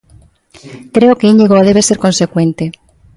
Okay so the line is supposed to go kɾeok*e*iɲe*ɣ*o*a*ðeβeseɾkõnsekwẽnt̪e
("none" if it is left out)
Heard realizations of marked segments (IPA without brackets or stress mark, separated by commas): e, ɣ, a